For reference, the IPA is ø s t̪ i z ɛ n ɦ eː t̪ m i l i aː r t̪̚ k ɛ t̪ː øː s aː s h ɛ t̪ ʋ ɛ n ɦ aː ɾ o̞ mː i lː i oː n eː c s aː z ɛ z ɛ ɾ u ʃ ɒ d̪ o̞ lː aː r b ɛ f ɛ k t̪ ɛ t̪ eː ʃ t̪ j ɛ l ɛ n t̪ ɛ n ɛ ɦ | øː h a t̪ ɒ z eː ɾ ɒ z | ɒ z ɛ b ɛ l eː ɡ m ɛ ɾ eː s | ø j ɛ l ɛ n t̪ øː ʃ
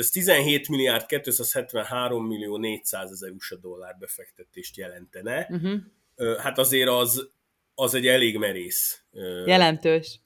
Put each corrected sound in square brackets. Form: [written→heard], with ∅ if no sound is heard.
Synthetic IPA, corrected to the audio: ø s t̪ i z ɛ n ɦ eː t̪ m i l i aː r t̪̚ k ɛ t̪ː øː s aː s h ɛ t̪ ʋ ɛ n ɦ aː ɾ o̞ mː i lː i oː n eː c s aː z ɛ z ɛ ɾ u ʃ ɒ d̪ o̞ lː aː r b ɛ f ɛ k t̪ ɛ t̪ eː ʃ t̪ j ɛ l ɛ n t̪ ɛ n ɛ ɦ | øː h a t̪ ɒ z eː ɾ ɒ z | ɒ z ɛ [b→ɟ] ɛ l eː ɡ m ɛ ɾ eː s | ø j ɛ l ɛ n t̪ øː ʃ